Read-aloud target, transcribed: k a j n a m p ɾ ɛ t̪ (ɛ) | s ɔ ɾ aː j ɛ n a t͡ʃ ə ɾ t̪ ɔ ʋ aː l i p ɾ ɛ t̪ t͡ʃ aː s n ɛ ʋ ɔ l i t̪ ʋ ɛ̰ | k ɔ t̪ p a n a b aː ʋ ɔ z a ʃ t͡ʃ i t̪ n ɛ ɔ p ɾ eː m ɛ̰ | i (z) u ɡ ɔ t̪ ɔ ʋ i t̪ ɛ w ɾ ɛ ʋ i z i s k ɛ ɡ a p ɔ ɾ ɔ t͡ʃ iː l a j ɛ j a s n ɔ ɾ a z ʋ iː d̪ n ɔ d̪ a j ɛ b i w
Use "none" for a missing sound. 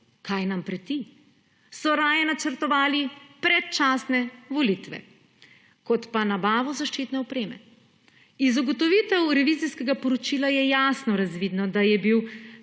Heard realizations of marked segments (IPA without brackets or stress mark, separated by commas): i, z